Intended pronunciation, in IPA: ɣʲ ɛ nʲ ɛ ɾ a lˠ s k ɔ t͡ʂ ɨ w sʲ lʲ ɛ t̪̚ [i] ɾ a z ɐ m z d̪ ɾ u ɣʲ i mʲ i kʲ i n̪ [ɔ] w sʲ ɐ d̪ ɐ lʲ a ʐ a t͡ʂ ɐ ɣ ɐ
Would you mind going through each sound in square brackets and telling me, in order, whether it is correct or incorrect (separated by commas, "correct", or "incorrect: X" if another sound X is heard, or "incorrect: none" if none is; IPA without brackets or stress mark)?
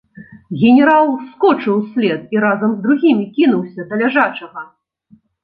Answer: correct, incorrect: u